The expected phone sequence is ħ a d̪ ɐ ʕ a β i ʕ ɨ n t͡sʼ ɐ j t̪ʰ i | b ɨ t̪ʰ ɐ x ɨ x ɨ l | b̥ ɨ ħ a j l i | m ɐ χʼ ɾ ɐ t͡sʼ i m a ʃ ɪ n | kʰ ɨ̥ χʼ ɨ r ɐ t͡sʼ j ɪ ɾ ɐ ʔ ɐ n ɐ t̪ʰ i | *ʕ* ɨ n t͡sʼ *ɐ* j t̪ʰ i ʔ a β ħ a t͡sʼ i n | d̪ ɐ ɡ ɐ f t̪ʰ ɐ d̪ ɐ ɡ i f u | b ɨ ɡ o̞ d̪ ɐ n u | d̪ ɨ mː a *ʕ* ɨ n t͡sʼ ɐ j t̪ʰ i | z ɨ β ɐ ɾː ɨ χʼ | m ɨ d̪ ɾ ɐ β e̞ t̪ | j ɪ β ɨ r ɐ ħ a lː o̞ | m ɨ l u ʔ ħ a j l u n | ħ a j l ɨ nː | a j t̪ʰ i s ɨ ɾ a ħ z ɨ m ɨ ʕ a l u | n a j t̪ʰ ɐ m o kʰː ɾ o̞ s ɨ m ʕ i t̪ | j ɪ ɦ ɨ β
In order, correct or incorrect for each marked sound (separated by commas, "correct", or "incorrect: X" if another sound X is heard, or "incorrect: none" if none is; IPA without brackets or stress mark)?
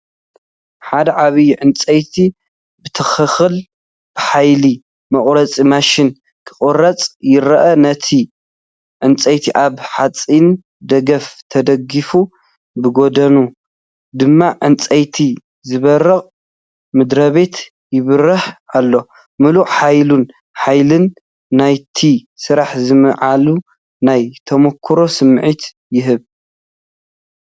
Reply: correct, correct, correct